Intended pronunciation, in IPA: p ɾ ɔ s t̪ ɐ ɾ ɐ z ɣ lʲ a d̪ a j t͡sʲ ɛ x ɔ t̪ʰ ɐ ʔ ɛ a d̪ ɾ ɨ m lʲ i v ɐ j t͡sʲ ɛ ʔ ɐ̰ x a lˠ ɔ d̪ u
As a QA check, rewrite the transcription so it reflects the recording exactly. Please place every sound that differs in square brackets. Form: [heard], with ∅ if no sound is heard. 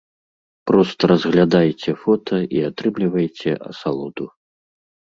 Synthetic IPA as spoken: p ɾ ɔ s t̪ ɐ ɾ ɐ z ɣ lʲ a d̪ a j t͡sʲ ɛ [f] ɔ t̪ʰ ɐ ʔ [i] a [t̪] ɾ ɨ m lʲ i v ɐ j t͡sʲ ɛ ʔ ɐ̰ [s] a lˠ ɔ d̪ u